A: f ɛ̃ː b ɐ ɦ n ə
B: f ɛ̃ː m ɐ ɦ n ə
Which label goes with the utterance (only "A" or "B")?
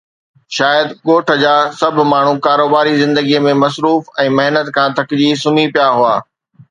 B